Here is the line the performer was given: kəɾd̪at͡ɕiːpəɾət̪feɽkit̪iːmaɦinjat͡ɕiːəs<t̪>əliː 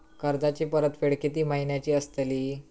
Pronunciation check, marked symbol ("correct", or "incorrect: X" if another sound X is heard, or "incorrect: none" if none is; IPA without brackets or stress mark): correct